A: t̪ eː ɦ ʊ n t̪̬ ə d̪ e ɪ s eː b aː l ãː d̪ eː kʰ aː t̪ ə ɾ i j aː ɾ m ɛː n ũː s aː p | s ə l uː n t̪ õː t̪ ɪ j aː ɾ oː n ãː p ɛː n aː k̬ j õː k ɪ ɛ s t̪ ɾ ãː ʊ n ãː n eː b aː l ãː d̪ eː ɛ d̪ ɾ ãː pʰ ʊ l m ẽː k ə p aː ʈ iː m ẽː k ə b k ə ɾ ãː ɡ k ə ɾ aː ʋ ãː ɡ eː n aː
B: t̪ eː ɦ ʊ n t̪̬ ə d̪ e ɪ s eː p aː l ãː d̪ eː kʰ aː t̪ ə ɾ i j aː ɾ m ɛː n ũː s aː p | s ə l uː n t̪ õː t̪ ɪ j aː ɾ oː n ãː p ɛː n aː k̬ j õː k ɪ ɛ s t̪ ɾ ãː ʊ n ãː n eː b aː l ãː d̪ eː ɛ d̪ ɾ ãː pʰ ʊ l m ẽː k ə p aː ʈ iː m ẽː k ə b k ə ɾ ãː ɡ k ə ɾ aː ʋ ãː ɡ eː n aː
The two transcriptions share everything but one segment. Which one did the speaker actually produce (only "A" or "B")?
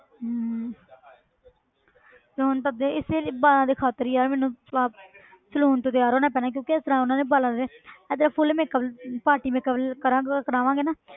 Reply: A